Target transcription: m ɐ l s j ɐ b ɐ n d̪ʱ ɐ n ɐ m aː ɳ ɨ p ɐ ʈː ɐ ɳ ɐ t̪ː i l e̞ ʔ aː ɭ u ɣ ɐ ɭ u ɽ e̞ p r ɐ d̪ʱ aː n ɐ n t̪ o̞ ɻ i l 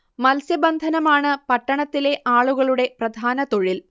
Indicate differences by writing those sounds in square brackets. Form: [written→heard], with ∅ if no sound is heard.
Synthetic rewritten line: m ɐ l s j ɐ b ɐ n d̪ʱ ɐ n ɐ m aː ɳ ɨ p ɐ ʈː ɐ ɳ ɐ t̪ː i l e̞ ʔ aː ɭ u ɣ ɐ ɭ u ɽ e̞ p r ɐ d̪ʱ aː n ɐ [n→∅] t̪ o̞ ɻ i l